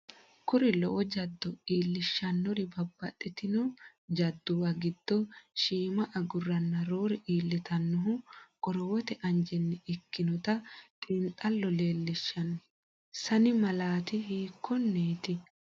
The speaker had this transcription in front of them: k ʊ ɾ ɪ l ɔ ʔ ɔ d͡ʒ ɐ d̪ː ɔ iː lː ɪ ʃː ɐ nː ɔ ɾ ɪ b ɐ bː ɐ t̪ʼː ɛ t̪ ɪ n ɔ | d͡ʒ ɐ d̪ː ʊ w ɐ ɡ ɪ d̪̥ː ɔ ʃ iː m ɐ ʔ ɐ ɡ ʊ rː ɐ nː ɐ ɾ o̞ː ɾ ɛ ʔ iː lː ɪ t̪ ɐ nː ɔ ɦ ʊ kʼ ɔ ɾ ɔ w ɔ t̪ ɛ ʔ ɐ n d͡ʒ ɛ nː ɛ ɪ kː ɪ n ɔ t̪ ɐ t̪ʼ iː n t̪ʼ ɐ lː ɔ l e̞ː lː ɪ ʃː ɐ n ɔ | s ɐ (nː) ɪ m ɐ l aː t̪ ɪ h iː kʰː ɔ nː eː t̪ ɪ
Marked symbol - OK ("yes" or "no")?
no